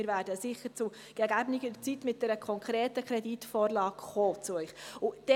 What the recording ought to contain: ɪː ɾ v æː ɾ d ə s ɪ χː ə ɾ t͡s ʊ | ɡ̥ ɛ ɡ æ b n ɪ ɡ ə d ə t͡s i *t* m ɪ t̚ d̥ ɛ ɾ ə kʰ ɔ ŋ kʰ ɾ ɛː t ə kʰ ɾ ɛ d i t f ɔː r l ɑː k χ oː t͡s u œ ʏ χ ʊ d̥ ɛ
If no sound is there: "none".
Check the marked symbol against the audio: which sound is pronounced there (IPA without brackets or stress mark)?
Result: t